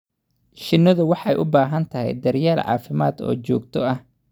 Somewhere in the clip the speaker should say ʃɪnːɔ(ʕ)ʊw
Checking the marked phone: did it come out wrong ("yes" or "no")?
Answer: yes